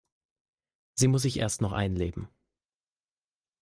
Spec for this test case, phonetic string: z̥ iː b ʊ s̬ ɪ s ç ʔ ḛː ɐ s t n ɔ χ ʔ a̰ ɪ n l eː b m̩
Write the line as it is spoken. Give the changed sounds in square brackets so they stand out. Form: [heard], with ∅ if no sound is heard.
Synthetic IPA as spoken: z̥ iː [m] ʊ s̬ ɪ [∅] ç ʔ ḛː ɐ s t n ɔ χ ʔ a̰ ɪ n l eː b m̩